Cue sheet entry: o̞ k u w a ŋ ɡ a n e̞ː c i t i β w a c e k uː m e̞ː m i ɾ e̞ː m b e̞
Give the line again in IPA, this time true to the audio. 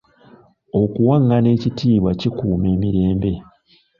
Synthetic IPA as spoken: o̞ k u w a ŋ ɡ a n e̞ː c i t iː β w a c i k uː m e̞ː m i ɾ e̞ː m b e̞